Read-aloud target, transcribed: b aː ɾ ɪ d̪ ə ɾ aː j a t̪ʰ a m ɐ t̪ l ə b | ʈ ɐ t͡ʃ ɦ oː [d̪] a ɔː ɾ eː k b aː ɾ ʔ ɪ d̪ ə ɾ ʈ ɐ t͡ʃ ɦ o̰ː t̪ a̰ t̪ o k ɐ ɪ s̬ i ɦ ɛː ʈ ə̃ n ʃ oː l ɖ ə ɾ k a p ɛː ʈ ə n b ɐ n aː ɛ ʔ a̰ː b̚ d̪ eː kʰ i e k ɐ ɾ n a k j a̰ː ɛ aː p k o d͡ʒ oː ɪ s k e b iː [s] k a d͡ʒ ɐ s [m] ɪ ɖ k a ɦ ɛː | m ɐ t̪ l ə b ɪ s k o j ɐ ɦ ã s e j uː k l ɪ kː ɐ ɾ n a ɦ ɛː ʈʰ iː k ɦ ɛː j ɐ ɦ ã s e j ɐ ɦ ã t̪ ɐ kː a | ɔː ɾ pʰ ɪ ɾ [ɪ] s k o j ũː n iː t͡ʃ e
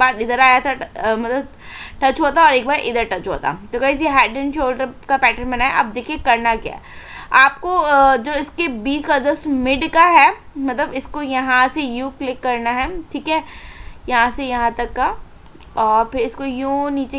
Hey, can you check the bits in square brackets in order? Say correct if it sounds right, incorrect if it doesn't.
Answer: incorrect: t̪, correct, correct, correct

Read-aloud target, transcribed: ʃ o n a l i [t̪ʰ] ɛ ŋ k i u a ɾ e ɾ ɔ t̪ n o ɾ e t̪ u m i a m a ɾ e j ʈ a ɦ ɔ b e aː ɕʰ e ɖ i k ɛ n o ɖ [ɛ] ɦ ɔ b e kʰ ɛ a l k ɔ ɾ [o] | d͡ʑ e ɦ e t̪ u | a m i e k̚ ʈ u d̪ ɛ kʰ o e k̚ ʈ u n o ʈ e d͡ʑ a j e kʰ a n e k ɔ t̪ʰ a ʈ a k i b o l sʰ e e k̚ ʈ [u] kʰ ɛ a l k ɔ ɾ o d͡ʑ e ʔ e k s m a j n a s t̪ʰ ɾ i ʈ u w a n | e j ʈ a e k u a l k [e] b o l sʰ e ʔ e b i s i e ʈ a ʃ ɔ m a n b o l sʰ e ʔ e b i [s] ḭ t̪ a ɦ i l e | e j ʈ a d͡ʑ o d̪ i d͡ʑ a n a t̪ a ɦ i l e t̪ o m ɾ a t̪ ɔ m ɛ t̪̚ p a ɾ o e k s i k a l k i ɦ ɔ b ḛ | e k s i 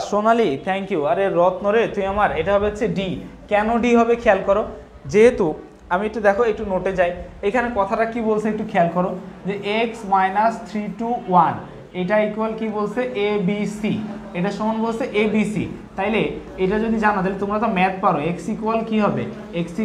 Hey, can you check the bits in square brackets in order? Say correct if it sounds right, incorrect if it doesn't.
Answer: correct, incorrect: i, correct, correct, incorrect: i, correct

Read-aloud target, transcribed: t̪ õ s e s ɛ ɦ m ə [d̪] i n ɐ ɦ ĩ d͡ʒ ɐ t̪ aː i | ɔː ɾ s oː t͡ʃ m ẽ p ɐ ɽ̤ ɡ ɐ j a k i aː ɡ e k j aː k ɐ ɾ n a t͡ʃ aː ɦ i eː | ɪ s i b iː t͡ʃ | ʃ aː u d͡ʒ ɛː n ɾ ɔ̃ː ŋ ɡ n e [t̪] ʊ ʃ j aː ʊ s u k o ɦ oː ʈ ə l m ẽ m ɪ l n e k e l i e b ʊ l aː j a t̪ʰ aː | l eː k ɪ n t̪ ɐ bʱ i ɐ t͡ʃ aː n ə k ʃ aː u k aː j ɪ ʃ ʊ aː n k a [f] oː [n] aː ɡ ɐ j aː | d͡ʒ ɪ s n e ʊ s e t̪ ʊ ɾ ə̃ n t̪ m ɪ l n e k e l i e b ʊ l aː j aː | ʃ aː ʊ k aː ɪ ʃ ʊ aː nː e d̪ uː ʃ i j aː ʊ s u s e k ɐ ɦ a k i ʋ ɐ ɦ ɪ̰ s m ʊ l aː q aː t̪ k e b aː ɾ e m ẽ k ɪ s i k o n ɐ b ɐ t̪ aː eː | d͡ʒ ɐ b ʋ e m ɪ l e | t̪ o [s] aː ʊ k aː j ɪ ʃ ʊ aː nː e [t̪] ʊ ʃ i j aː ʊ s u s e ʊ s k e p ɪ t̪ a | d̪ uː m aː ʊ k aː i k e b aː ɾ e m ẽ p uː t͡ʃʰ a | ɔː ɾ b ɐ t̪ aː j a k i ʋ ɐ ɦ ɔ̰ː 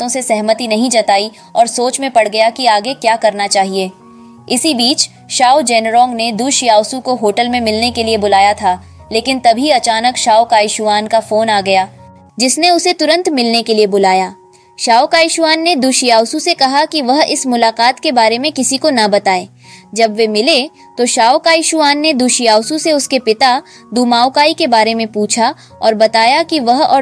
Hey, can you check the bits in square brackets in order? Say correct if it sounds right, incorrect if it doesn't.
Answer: incorrect: t̪, incorrect: d̪, correct, correct, incorrect: ʃ, incorrect: d̪

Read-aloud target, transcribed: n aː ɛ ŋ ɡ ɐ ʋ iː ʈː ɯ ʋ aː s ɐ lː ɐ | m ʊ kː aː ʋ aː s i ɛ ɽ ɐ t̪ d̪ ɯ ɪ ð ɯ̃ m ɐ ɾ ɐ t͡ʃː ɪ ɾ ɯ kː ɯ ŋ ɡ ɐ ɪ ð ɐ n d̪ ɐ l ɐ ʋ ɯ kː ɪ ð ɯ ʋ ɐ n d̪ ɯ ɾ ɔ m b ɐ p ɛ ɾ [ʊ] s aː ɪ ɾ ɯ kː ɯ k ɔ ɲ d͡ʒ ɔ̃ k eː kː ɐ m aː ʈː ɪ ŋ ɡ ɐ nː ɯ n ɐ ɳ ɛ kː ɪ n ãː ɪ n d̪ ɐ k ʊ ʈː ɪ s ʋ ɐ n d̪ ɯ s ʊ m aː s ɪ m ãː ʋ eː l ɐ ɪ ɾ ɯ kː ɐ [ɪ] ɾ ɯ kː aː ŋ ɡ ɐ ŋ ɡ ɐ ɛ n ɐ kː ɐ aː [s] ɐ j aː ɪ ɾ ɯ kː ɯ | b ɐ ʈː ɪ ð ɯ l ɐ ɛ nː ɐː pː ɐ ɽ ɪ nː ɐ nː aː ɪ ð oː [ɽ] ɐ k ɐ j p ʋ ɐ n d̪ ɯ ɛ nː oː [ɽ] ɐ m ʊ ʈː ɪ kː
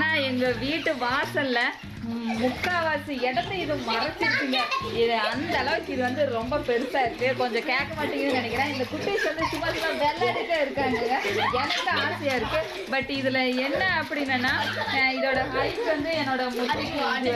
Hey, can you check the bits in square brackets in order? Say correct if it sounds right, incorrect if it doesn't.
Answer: incorrect: ɯ, correct, correct, correct, correct

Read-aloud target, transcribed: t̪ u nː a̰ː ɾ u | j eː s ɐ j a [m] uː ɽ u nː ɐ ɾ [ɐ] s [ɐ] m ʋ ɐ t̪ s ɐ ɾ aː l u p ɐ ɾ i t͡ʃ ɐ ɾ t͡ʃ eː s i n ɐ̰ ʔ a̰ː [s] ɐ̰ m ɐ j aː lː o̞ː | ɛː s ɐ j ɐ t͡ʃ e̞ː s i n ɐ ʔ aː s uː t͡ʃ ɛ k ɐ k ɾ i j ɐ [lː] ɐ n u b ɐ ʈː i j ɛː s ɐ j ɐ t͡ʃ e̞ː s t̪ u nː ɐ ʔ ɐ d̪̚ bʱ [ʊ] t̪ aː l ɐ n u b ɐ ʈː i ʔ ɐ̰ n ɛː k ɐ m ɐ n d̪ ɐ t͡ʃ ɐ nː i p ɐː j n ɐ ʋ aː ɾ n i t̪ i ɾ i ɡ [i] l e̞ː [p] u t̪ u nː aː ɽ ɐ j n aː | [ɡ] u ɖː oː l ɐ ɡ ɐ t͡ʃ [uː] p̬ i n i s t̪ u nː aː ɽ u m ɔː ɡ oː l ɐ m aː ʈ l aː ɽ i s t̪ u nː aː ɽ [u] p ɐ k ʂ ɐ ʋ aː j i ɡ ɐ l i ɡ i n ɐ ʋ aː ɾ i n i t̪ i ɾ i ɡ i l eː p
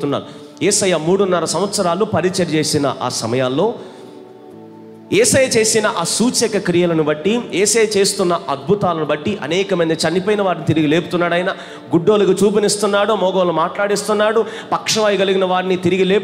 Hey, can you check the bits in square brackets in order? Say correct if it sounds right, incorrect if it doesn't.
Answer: correct, correct, correct, correct, incorrect: l, incorrect: u, correct, correct, correct, correct, correct

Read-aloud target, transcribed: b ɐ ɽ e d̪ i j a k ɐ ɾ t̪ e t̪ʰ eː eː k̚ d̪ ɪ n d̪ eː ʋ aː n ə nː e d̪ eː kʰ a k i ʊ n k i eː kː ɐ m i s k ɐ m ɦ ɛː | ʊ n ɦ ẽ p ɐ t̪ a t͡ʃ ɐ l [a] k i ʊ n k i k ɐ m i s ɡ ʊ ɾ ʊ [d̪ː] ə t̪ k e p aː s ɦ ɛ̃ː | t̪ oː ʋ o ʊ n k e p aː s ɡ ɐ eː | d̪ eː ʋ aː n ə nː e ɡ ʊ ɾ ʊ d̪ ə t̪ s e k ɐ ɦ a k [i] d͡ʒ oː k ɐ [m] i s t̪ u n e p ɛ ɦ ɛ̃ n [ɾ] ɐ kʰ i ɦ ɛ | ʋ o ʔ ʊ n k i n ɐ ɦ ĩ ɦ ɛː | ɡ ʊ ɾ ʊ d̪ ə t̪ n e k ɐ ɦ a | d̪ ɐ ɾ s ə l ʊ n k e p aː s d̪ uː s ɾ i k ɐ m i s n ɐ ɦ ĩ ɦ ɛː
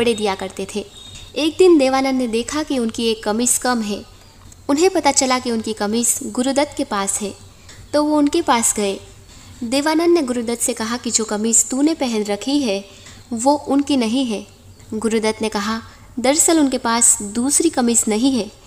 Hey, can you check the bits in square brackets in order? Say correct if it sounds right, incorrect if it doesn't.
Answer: correct, incorrect: d̪, correct, correct, correct

